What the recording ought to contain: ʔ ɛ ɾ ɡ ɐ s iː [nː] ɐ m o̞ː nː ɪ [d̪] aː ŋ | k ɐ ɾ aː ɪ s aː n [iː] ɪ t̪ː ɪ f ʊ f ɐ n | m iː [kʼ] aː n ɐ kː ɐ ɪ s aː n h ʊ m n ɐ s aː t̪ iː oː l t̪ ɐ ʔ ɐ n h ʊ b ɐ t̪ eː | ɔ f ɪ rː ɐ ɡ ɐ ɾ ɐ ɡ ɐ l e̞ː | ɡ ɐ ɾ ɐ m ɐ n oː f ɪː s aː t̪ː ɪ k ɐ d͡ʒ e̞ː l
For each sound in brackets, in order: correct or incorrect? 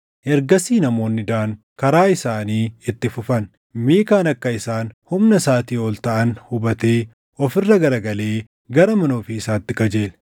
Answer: incorrect: n, correct, correct, incorrect: k

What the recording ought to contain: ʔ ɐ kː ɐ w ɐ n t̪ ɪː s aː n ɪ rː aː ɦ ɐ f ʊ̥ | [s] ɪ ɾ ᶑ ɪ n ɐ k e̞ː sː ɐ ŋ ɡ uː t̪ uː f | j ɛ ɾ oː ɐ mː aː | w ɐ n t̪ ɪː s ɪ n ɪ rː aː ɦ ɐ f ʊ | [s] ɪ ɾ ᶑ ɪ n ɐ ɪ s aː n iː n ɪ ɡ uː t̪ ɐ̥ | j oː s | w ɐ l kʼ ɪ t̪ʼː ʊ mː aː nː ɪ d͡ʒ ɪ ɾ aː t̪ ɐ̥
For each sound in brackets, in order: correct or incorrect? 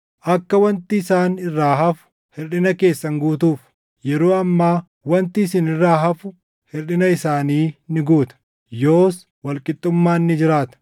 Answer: incorrect: h, incorrect: h

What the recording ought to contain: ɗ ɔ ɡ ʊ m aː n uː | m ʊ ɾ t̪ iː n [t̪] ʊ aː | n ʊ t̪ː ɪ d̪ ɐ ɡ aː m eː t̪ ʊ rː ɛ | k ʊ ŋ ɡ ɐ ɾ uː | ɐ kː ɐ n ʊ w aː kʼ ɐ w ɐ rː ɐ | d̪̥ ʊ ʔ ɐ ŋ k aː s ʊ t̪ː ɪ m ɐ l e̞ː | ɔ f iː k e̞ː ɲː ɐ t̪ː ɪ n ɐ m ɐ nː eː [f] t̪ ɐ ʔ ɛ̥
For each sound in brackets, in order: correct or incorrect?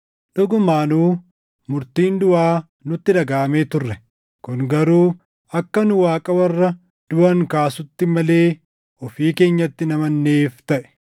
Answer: incorrect: d̪, correct

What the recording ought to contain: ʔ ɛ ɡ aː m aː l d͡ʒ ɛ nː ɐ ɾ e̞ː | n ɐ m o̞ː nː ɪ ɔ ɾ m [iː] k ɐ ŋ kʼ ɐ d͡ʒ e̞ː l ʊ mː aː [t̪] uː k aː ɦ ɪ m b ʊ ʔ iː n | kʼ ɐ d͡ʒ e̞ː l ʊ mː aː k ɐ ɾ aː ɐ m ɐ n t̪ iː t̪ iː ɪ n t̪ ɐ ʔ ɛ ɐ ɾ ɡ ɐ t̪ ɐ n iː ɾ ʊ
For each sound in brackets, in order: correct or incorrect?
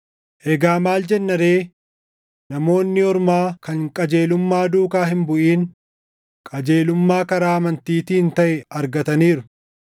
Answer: incorrect: aː, incorrect: d̪

